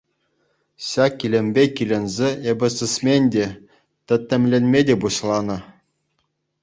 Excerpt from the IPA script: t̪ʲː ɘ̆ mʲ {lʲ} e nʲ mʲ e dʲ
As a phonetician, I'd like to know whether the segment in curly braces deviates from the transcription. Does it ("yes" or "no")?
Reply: no